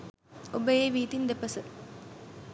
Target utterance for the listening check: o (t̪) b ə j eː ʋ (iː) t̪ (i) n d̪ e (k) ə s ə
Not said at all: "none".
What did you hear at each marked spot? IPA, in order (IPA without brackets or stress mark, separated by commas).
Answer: none, iː, i, p